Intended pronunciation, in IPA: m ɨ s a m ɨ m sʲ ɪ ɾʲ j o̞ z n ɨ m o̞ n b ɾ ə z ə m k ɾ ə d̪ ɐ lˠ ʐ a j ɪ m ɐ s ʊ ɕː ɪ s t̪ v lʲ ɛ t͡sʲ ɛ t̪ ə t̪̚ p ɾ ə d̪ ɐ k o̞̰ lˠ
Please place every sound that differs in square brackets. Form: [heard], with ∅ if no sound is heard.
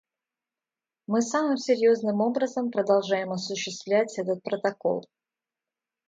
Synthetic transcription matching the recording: m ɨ s a m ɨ m sʲ ɪ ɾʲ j o̞ z n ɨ m o̞ [∅] b ɾ ə z ə m [p] ɾ ə d̪ ɐ lˠ ʐ a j ɪ m ɐ s ʊ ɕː ɪ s t̪ v lʲ [æ] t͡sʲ ɛ t̪ ə t̪̚ p ɾ ə [t̪] ɐ k o̞̰ lˠ